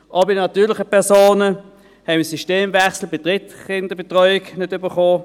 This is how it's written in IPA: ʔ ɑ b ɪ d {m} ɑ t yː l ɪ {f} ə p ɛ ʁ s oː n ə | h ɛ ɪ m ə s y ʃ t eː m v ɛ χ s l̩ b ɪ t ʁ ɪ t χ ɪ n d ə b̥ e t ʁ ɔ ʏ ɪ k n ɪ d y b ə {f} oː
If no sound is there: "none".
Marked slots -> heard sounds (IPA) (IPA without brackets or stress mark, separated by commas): n, χ, χ